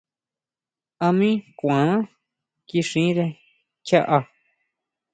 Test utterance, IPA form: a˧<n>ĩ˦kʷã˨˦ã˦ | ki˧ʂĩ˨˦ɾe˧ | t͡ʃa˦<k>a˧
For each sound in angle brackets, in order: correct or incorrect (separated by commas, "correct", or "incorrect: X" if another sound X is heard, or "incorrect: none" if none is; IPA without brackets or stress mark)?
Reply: incorrect: m, incorrect: ʔ